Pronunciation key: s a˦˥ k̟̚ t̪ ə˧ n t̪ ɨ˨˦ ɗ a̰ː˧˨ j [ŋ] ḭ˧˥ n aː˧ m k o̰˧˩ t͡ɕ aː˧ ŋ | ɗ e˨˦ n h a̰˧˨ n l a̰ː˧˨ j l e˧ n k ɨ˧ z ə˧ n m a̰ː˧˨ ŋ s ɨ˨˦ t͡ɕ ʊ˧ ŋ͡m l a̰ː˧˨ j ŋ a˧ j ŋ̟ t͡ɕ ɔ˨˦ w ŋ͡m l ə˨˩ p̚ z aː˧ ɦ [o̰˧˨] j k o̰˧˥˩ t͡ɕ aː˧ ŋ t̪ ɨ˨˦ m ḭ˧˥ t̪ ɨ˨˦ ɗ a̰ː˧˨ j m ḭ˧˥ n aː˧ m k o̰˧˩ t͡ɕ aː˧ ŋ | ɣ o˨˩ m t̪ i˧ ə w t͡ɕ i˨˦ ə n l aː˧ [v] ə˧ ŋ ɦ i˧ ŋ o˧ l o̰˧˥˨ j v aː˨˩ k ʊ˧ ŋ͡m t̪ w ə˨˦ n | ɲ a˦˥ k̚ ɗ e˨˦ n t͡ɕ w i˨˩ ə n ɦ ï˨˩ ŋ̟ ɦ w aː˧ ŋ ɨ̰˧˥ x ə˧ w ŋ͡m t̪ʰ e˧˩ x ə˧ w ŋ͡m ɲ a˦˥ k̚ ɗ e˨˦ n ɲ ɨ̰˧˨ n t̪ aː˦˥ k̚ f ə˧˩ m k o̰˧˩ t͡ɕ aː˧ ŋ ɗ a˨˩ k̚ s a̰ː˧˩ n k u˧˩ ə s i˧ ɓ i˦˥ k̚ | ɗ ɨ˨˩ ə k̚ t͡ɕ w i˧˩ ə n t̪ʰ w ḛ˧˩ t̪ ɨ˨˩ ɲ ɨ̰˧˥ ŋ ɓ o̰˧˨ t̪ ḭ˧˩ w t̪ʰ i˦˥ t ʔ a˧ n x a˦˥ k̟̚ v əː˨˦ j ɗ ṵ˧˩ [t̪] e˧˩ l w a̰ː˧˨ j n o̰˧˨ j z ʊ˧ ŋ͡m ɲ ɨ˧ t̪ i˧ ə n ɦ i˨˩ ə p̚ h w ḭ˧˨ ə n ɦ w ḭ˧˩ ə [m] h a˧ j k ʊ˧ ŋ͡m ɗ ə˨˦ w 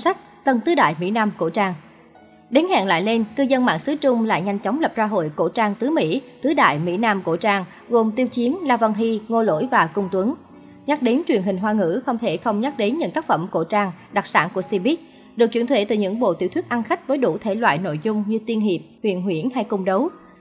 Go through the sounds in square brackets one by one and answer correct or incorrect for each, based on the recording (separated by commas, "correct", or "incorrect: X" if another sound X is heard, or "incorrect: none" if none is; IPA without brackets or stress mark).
incorrect: m, correct, correct, incorrect: t̪ʰ, incorrect: n